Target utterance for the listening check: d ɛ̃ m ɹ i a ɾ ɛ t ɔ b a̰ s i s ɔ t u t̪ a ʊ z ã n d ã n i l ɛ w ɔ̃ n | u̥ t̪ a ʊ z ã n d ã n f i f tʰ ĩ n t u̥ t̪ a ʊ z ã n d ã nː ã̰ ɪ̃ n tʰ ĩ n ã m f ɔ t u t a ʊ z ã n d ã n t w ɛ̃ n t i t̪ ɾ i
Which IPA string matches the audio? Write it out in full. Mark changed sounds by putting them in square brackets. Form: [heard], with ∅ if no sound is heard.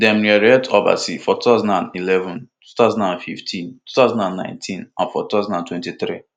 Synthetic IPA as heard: d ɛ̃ m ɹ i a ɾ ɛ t ɔ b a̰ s i [f] ɔ t u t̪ a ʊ z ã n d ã n i l ɛ [v] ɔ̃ n | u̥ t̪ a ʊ z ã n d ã n f i f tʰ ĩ n t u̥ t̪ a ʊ z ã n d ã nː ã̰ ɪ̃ n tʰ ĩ n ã [n] f ɔ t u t a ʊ z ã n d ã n t w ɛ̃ n t i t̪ ɾ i